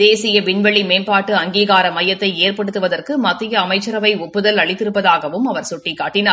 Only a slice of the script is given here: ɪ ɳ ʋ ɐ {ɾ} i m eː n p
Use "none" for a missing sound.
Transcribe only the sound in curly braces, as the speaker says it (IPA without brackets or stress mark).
ɭ